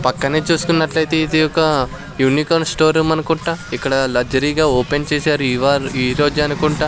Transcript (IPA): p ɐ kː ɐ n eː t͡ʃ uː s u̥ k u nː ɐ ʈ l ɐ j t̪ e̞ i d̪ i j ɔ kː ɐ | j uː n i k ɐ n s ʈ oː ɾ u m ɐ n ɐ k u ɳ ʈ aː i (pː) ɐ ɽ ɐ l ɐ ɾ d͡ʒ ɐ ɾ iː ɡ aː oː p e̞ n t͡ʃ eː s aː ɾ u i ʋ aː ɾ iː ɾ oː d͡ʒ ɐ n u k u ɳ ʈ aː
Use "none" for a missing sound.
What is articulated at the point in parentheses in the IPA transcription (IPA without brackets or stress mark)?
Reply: kː